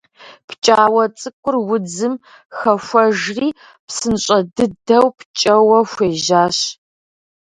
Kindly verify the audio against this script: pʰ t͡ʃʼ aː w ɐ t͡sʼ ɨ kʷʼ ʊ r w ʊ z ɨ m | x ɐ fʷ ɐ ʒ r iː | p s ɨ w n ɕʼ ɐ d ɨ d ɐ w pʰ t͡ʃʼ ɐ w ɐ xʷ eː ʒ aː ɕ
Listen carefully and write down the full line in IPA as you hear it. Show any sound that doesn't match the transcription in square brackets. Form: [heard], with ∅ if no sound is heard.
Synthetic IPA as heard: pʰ t͡ʃʼ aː w ɐ t͡sʼ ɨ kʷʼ ʊ r w ʊ [d͡z] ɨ m | x ɐ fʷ ɐ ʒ r iː | p s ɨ [∅] n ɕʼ ɐ d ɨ d ɐ w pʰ t͡ʃʼ ɐ w ɐ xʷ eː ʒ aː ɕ